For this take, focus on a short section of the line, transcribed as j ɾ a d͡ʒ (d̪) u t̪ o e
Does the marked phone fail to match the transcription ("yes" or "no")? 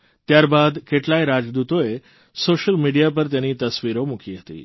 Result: no